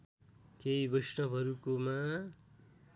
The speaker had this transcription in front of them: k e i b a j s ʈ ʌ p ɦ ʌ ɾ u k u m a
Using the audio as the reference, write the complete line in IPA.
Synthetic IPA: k e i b ʌ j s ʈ ʌ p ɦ ʌ ɾ u k o m a